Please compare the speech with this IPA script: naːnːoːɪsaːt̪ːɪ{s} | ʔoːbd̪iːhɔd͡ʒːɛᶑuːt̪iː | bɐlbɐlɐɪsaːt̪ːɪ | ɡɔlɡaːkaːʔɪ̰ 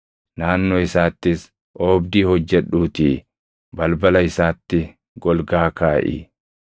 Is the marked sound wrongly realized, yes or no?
no